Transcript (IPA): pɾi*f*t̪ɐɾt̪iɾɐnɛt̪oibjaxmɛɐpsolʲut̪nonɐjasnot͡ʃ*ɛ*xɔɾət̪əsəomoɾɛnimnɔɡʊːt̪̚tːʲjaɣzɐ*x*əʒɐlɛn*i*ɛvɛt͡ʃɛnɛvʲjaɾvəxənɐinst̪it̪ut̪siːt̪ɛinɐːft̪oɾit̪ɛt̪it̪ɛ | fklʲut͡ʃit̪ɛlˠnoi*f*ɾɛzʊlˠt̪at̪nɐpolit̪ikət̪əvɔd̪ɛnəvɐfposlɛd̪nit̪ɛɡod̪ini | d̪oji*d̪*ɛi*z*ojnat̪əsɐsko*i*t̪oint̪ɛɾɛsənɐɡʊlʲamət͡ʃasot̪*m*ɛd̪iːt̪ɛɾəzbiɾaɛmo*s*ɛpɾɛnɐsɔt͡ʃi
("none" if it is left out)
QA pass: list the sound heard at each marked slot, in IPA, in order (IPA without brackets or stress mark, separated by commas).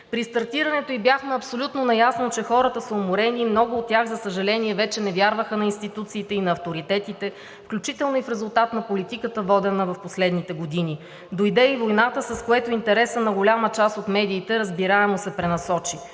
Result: s, ɛ, s, i, f, d̪, v, ɛ, m, s